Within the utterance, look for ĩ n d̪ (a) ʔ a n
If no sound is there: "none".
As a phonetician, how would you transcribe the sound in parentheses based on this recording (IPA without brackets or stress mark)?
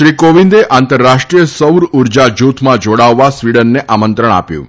e